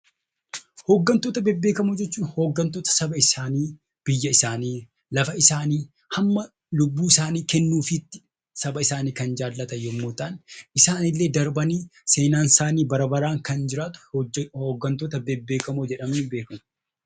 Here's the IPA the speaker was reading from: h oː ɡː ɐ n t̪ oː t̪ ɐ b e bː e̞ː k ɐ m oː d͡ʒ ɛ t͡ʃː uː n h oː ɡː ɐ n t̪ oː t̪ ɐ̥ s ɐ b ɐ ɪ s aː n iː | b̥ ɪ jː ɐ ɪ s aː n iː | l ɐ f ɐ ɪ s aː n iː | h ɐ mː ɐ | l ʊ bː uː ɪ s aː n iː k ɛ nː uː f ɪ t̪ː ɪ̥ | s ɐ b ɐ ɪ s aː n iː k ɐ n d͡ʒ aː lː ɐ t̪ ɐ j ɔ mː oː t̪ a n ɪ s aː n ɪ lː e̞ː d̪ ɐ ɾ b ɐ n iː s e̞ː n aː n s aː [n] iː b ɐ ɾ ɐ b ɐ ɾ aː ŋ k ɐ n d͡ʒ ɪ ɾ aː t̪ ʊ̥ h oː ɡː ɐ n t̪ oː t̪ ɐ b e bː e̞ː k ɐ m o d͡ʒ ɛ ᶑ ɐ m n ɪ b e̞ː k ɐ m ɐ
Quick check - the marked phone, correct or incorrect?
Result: correct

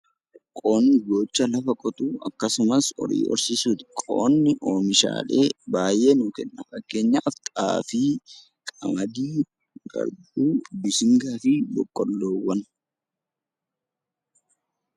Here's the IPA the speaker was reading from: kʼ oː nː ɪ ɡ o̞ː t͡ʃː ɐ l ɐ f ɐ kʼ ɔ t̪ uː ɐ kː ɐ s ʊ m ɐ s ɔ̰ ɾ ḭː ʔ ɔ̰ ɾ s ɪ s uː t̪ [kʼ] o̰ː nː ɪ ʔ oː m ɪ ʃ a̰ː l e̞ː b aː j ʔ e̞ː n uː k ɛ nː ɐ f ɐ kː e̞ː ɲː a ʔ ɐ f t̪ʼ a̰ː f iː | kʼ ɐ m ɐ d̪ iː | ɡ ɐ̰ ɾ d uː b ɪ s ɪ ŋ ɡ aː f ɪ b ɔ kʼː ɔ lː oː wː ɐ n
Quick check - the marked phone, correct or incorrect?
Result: correct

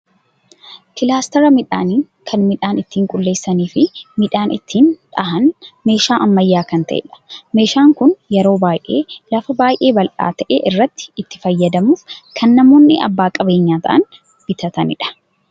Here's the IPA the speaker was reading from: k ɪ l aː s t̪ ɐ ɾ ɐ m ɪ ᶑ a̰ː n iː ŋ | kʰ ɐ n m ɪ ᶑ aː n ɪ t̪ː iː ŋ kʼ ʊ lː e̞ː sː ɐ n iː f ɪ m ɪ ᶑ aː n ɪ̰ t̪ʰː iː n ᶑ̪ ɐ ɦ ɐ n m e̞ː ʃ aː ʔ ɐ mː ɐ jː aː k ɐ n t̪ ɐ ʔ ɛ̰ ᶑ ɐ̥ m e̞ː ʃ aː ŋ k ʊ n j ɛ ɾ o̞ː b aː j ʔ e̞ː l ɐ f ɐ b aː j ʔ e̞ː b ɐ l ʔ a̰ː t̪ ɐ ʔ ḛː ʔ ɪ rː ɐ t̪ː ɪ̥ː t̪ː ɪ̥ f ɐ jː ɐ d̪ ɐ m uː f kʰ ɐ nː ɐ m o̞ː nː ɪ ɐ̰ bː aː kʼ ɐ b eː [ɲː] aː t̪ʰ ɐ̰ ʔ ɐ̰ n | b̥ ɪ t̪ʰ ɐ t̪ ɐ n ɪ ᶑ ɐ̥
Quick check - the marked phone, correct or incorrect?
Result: correct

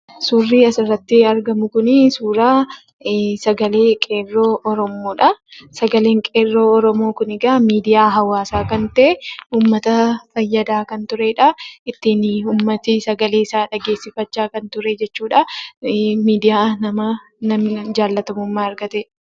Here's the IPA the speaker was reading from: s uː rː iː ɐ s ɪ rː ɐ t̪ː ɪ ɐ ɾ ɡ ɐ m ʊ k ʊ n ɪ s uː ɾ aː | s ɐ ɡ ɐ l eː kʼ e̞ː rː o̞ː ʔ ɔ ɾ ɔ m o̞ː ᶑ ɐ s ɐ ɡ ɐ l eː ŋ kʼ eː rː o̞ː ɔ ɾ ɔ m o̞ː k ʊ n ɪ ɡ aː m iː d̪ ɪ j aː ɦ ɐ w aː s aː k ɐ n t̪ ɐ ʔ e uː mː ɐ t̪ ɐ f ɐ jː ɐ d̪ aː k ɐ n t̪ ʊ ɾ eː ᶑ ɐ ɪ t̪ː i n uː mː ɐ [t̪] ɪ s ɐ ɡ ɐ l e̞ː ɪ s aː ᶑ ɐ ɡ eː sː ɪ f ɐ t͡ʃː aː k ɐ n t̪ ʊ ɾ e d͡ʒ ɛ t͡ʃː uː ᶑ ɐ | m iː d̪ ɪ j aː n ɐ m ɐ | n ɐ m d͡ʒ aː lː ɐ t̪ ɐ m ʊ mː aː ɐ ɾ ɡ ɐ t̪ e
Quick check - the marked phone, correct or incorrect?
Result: correct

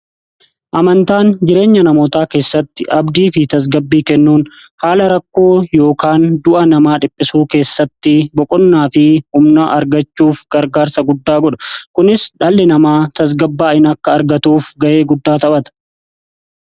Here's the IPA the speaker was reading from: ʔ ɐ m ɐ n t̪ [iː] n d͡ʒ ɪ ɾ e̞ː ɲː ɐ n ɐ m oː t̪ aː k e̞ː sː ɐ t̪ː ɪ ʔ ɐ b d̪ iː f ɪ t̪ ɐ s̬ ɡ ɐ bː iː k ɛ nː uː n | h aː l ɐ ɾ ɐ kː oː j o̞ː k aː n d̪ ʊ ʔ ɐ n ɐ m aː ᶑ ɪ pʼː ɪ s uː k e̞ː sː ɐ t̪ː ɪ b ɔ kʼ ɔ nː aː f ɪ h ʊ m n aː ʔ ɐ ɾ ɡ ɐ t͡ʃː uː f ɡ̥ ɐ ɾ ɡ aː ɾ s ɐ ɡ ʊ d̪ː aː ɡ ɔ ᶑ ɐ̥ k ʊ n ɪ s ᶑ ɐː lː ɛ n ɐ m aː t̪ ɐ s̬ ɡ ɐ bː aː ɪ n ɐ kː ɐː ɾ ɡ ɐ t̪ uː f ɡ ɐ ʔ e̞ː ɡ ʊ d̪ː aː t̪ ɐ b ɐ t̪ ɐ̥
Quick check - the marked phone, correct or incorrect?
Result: incorrect: aː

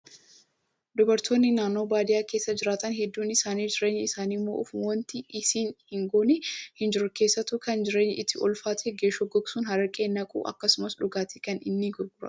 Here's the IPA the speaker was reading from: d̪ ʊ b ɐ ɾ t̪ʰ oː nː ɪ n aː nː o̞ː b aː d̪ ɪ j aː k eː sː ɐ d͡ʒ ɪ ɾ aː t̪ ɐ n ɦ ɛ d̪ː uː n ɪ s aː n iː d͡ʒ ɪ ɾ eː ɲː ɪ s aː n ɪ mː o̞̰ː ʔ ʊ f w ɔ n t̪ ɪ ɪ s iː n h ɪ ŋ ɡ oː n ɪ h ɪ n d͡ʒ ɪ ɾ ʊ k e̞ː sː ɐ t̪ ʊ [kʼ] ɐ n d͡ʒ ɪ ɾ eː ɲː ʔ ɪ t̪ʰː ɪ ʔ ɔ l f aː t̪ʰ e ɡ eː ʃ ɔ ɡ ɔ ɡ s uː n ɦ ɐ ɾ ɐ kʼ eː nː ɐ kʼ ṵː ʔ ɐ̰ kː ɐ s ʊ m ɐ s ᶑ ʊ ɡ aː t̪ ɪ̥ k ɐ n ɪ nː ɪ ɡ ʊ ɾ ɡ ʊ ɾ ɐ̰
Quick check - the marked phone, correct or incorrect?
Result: incorrect: k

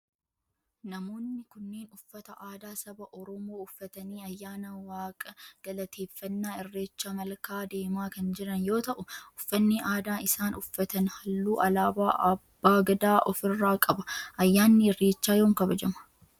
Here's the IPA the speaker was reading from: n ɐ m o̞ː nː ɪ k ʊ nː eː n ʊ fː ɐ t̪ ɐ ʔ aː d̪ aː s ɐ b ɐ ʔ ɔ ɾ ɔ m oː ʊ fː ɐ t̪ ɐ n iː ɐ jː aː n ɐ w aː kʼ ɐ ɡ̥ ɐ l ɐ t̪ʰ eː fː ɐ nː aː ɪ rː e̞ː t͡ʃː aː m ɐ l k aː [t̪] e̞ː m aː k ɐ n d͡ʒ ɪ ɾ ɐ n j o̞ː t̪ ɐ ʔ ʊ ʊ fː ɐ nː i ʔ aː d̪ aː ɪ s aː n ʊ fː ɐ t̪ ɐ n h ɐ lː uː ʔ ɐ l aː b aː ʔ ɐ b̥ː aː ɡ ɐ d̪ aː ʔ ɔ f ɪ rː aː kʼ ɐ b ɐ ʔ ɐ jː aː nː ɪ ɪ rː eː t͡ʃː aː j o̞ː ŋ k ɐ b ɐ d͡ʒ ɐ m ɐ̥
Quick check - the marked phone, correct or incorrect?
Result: incorrect: d̪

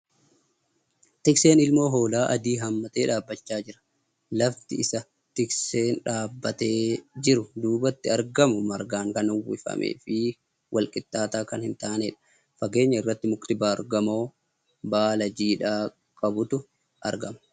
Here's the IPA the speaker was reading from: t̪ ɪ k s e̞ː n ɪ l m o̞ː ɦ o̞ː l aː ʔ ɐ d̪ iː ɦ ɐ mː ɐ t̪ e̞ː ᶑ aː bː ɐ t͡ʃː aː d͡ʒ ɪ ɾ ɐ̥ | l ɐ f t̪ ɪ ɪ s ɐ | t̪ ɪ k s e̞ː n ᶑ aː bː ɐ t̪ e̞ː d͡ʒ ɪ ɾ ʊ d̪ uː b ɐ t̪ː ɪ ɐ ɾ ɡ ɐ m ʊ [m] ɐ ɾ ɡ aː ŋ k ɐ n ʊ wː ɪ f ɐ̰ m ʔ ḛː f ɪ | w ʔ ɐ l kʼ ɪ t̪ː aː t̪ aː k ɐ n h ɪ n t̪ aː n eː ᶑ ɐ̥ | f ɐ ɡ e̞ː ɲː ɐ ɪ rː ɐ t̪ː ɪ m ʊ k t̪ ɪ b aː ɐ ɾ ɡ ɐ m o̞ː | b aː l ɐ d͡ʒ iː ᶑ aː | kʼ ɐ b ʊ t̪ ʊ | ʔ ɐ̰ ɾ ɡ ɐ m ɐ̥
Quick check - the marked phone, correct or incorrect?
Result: correct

